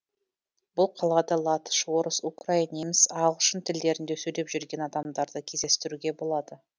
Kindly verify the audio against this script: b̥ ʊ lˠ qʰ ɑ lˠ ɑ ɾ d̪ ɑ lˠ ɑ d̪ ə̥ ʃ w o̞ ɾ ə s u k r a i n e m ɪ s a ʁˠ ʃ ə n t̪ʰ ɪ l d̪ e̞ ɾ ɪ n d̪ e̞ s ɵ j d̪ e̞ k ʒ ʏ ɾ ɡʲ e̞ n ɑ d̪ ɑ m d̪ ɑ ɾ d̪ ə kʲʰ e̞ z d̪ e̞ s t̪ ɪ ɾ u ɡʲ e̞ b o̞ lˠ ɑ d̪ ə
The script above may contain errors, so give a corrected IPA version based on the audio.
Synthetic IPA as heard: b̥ ʊ lˠ qʰ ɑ lˠ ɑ d̪ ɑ lˠ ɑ t̪ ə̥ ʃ w o̞ ɾ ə s u k r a i n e m ɪ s ɑ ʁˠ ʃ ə n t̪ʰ ɪ l d̪ e̞ ɾ ɪ n d̪ e̞ s ɵ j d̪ e̞ p ʒ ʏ ɾ ɡʲ e̞ n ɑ d̪ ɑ m d̪ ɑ ɾ d̪ ə kʲʰ e̞ z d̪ e̞ s t̪ ɪ ɾ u ɡʲ e̞ b o̞ lˠ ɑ d̪ ə